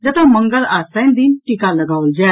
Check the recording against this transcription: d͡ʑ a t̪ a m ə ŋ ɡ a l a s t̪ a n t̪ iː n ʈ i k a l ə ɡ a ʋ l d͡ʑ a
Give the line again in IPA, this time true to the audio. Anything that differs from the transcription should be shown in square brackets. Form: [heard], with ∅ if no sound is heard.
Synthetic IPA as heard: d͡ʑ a t̪ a m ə ŋ ɡ [ə] l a s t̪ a n [d̪] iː n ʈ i k a l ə ɡ a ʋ l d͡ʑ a